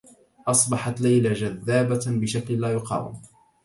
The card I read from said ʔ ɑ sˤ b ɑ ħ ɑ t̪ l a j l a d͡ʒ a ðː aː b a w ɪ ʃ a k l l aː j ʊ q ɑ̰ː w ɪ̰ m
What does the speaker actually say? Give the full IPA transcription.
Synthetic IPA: ʔ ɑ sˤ b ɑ ħ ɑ t̪ l a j l a d͡ʒ a ðː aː b a b ɪ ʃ a k l l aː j ʊ q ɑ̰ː w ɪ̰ m